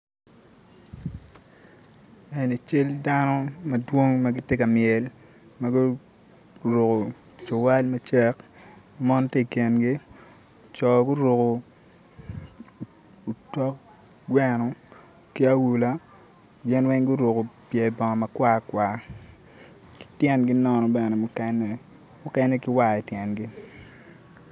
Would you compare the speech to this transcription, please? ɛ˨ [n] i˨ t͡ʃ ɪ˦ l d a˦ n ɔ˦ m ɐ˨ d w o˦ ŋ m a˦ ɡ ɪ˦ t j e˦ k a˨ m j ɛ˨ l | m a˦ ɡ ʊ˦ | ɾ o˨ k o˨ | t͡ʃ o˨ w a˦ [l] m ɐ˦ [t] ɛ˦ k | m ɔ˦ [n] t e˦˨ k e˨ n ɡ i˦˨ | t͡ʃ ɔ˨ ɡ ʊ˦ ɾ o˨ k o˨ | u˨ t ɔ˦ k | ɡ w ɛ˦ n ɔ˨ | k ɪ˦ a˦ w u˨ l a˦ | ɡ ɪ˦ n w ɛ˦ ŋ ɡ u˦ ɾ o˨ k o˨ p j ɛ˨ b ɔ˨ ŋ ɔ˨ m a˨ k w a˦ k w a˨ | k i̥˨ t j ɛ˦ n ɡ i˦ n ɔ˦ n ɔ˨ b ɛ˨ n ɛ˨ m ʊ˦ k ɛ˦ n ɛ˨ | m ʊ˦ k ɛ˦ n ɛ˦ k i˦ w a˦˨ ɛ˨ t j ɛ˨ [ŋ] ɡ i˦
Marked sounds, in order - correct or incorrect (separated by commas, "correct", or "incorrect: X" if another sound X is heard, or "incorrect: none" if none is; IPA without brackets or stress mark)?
correct, correct, incorrect: t͡ʃ, correct, incorrect: n